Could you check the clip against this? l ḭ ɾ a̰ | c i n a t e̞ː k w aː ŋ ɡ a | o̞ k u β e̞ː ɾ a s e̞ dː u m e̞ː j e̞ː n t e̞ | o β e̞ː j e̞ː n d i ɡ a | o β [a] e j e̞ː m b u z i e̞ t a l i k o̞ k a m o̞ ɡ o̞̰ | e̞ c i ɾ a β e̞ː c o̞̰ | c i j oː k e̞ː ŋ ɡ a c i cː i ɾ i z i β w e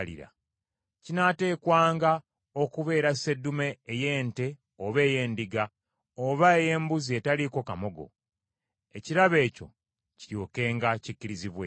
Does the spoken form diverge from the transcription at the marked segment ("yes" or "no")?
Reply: no